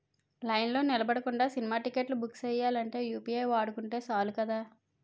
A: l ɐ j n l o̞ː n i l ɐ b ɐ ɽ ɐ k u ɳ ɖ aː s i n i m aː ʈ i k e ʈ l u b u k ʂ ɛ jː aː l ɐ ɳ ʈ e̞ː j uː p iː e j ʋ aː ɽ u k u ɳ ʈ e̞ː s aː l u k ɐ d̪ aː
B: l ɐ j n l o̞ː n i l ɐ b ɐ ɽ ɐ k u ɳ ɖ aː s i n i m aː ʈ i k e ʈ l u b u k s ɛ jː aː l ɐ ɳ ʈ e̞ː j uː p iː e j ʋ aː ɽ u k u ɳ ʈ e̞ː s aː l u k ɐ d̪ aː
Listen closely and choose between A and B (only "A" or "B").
B